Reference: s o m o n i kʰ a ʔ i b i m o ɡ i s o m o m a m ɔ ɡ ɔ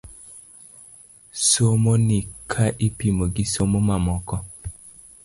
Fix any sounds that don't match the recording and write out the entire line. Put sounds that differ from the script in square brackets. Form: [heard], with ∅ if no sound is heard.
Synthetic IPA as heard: s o m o n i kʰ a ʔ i [p] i m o ɡ i s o m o m a m ɔ [k] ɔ

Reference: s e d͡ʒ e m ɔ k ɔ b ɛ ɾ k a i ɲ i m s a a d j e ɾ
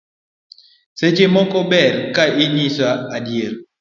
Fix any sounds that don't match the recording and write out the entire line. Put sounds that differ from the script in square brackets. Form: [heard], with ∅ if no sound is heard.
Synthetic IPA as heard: s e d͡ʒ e m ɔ k ɔ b ɛ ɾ k a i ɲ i [∅] s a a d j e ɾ

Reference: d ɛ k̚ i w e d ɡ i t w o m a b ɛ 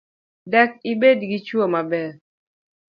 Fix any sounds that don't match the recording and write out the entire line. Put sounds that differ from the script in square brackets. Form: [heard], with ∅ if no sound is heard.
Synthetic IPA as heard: d ɛ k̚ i [b] e d ɡ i [t͡ʃ] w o m a b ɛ

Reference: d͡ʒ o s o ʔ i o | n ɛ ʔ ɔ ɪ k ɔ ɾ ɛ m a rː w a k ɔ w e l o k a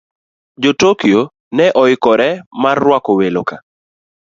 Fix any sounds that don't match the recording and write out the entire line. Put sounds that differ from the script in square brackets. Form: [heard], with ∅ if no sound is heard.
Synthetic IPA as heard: d͡ʒ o [t] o [k] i o | n ɛ ʔ ɔ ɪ k ɔ ɾ ɛ m a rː w a k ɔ w e l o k a

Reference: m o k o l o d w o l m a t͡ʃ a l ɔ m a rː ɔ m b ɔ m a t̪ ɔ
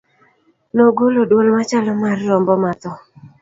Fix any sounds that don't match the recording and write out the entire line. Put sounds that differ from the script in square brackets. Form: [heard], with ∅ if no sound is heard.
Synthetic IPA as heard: [n] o [ɡ] o l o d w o l m a t͡ʃ a l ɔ m a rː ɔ m b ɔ m a t̪ ɔ

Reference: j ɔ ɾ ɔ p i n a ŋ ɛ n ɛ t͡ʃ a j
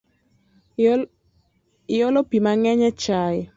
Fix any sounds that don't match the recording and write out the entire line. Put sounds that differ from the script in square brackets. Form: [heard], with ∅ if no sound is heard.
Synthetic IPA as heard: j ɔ [l] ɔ p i [m] a ŋ ɛ [ɲ] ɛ t͡ʃ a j

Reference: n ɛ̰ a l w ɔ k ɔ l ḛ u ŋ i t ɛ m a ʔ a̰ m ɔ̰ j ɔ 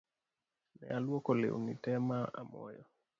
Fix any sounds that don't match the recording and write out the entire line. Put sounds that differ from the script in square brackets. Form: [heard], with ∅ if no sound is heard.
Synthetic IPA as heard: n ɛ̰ a l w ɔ k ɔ l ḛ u [n] i t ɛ m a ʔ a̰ m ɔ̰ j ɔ

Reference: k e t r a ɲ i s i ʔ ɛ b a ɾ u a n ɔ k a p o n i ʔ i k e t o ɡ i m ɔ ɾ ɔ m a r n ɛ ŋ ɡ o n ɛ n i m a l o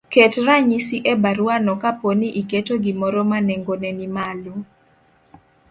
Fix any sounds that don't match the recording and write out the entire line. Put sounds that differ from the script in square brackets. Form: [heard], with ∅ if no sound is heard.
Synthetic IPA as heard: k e t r a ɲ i s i ʔ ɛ b a ɾ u a n ɔ k a p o n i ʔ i k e t o ɡ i m ɔ ɾ ɔ m a [∅] n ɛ ŋ ɡ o n ɛ n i m a l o

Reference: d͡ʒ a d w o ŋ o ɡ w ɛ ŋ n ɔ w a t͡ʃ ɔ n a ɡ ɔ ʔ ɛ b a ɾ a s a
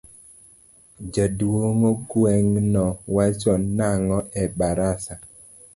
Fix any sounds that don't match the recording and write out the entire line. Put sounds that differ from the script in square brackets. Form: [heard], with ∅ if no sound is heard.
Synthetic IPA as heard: d͡ʒ a d w o ŋ o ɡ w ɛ ŋ n ɔ w a t͡ʃ ɔ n a [ŋ] ɔ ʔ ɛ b a ɾ a s a

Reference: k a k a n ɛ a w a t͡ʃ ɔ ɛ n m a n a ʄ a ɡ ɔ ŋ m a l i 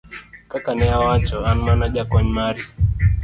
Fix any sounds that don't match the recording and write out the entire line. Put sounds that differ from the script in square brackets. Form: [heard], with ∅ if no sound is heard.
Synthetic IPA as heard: k a k a n ɛ a w a t͡ʃ ɔ [a] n m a n a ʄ a [k] ɔ [ɲ] m a [ɾ] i

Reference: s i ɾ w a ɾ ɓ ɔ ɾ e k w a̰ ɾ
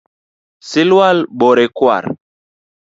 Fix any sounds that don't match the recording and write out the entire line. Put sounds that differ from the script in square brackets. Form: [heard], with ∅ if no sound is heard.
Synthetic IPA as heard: s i [l] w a [l] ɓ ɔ ɾ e k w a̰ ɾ

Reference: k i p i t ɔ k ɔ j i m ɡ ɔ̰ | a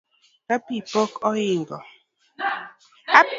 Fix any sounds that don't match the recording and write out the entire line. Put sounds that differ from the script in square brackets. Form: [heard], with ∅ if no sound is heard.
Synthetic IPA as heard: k [a] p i [p] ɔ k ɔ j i [ŋ] ɡ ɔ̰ | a

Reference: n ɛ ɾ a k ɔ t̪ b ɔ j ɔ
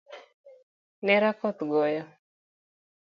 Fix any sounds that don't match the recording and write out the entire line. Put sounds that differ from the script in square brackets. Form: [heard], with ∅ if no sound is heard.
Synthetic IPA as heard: n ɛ ɾ a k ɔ t̪ [ɡ] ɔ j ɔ

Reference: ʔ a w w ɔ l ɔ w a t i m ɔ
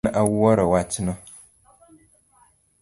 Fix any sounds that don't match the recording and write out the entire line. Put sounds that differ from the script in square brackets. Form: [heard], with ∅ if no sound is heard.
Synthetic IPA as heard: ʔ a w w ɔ [ɾ] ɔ w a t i [n] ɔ

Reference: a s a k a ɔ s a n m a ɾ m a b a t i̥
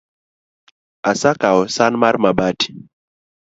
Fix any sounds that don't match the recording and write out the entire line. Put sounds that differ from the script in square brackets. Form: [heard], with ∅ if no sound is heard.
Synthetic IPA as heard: a s a k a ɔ s a n m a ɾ m a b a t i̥

